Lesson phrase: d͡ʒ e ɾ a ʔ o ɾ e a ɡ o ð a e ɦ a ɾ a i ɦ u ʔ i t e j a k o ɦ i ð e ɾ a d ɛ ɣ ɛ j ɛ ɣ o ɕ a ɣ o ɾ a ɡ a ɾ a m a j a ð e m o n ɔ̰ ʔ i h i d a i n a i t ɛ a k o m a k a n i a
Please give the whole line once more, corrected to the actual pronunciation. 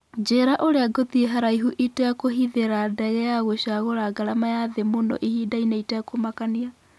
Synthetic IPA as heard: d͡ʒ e ɾ a ʔ o ɾ e a ɡ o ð i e ɦ a ɾ a i ɦ u ʔ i t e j a k o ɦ i ð e ɾ a d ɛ ɣ ɛ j a ɣ o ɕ a ɣ o ɾ a ɡ a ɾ a m a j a ð e m o n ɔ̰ ʔ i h i d a i n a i t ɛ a k o m a k a n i a